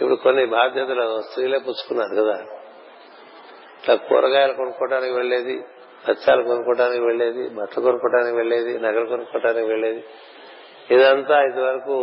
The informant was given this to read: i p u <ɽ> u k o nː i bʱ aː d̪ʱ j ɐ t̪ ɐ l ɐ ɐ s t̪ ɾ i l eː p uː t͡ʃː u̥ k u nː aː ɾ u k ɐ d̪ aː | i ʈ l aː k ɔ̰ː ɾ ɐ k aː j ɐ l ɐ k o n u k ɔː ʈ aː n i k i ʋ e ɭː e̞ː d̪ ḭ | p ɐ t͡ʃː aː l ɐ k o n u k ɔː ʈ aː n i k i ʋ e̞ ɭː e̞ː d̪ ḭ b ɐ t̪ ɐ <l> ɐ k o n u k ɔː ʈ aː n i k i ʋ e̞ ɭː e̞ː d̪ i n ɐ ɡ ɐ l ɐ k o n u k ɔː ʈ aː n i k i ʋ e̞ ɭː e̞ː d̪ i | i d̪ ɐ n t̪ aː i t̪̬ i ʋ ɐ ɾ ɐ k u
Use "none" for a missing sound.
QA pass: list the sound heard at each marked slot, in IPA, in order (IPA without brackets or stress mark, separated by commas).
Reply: ɽ, l